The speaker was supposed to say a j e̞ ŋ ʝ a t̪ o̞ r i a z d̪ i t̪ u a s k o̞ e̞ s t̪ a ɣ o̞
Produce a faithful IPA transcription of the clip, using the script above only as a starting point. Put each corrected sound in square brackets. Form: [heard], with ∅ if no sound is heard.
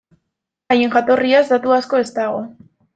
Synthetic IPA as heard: a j e̞ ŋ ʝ a t̪ o̞ r i a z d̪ [a] t̪ u a s k o̞ e̞ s t̪ a ɣ o̞

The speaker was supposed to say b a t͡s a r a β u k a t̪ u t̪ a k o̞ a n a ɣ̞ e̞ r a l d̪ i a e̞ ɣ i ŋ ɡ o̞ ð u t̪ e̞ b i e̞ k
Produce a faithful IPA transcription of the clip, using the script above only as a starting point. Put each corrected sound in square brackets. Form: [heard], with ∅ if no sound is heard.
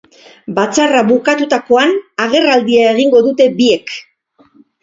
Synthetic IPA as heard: b a t͡s a r a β u k a t̪ u t̪ a k o̞ a n a ɣ̞ e̞ r a l d̪ i a e̞ ɣ i ŋ ɡ o̞ ð u t̪ e̞ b i e̞ k

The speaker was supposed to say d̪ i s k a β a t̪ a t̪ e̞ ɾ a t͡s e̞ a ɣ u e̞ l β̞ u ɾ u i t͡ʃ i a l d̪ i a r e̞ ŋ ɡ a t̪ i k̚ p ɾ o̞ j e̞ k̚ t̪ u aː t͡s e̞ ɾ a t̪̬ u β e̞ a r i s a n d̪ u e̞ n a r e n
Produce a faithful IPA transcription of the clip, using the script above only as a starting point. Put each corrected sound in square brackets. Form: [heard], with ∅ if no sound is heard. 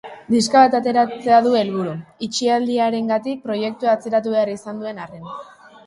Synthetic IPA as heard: d̪ i s k a β a t̪ a t̪ e̞ ɾ a t͡s e̞ a [ð] u e̞ l β̞ u ɾ u i t͡ʃ i a l d̪ i a [ɾ] e̞ ŋ ɡ a t̪ i k̚ p ɾ o̞ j e̞ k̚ t̪ u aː t͡s e̞ ɾ a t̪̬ u β e̞ a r i s a n d̪ u e̞ n a r e n

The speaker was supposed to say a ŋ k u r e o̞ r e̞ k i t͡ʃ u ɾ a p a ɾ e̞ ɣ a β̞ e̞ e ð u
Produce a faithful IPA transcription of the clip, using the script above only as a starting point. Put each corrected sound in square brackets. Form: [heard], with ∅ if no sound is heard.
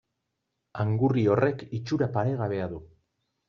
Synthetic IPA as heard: a ŋ [ɡ] u r [i] o̞ r e̞ k i t͡ʃ u ɾ a p a ɾ e̞ ɣ a β̞ e̞ [a] ð u

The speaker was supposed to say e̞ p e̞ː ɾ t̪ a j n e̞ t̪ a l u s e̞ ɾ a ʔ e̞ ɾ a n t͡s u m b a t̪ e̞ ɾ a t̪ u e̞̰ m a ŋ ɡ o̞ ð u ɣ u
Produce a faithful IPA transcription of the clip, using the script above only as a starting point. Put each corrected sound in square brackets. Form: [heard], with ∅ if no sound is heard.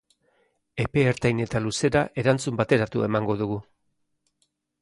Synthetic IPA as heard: e̞ p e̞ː ɾ t̪ a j n e̞ t̪ a l u s e̞ ɾ a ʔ e̞ ɾ a n t͡s u m b a t̪ e̞ ɾ a t̪ u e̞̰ m a ŋ ɡ o̞ ð u ɣ u

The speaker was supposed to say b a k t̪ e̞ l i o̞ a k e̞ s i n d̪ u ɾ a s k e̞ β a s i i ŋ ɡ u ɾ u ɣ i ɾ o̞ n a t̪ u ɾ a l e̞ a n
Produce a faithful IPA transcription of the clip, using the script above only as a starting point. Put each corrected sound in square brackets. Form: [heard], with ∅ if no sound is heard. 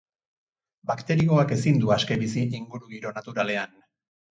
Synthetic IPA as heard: b a k t̪ e̞ [ɾ] i o̞ a k e̞ s i n d̪ u [∅] a s k e̞ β [i] s i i ŋ ɡ u ɾ u ɣ i ɾ o̞ n a t̪ u ɾ a l e̞ a n

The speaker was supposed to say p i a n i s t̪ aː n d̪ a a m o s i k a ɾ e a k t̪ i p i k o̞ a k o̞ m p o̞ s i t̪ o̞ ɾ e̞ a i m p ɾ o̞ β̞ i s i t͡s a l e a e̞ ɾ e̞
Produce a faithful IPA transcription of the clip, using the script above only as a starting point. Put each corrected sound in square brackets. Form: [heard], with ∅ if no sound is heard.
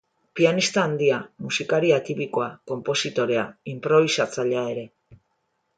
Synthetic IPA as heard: p i a n i s t̪ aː n d̪ [i] a m [u] s i k a ɾ [i] a [∅] t̪ i p i k o̞ a k o̞ m p o̞ s i t̪ o̞ ɾ e̞ a i m p ɾ o̞ β̞ i s [a] t͡s a [ʎ] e a e̞ ɾ e̞

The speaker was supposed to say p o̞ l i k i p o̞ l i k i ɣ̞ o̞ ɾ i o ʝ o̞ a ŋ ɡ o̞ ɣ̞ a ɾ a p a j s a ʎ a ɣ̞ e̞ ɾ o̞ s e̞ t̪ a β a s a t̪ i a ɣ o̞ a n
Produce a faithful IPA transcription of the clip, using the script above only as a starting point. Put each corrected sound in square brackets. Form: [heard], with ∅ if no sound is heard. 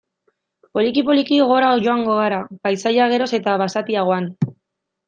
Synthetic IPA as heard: p o̞ l i k i p o̞ l i k i ɣ̞ o̞ ɾ [a] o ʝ o̞ a ŋ ɡ o̞ ɣ̞ a ɾ a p a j s a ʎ a ɣ̞ e̞ ɾ o̞ s e̞ t̪ a β a s a t̪ i a ɣ o̞ a n

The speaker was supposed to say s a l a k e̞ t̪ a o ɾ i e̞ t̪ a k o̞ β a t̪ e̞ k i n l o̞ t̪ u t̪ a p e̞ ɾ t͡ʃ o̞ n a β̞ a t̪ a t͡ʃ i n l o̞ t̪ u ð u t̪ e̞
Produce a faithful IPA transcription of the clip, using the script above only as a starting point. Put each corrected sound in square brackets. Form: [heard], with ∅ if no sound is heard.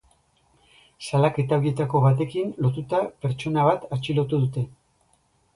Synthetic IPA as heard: s a l a k e̞ t̪ a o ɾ i e̞ t̪ a k o̞ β a t̪ e̞ k i n l o̞ t̪ u t̪ a p e̞ ɾ t͡ʃ o̞ n a β̞ a t̪ a t͡ʃ i [∅] l o̞ t̪ u ð u t̪ e̞

